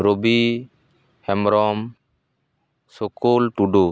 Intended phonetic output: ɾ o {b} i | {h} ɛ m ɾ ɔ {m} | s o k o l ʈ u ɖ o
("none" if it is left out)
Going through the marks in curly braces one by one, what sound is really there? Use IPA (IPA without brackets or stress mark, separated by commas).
b, h, m